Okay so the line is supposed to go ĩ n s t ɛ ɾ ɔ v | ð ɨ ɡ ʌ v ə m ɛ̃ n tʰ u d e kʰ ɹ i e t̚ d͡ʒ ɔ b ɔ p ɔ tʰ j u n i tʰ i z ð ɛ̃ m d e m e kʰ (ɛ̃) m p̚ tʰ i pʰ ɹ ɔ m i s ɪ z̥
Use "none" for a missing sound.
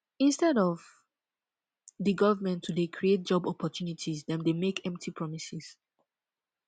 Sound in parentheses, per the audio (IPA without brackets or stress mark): ɛ̃